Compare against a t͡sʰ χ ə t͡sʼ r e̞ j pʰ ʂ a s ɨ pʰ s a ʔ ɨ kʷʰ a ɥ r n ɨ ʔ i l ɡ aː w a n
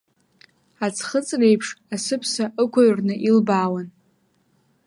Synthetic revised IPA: a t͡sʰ χ ə t͡sʼ r e̞ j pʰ ʂ a s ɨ pʰ s a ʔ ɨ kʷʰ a ɥ r n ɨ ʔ i l b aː w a n